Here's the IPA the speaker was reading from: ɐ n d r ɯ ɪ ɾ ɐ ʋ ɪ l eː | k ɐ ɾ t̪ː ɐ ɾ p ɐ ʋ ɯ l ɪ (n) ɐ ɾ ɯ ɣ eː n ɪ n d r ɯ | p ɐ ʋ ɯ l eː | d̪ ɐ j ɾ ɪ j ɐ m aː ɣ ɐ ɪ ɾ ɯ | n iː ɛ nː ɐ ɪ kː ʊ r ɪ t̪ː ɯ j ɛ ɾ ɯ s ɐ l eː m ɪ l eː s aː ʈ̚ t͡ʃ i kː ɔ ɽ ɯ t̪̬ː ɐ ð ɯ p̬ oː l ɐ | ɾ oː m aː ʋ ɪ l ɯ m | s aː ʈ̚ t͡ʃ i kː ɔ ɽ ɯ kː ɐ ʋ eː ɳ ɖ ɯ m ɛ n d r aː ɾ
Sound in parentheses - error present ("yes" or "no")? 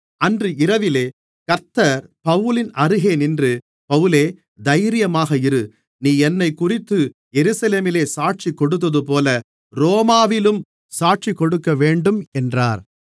no